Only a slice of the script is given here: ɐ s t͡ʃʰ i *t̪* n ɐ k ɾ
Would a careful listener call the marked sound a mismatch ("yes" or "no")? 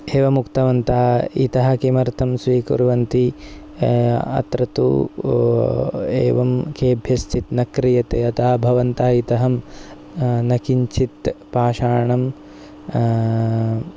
no